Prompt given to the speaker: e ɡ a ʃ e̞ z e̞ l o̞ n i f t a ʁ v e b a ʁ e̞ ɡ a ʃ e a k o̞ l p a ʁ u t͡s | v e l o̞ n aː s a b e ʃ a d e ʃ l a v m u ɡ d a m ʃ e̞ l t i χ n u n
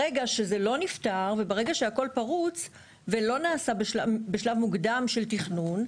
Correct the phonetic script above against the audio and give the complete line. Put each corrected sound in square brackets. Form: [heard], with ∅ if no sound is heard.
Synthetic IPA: e ɡ a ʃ e̞ z e̞ l o̞ n i f t a ʁ v e b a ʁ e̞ ɡ a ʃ e a k o̞ l p a ʁ u t͡s | v e l o̞ n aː s a b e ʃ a [b] e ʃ l a v m u ɡ d a m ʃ e̞ l t i χ n u n